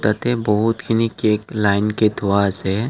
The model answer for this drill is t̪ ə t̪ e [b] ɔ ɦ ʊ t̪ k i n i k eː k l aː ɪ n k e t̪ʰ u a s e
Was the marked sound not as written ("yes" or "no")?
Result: no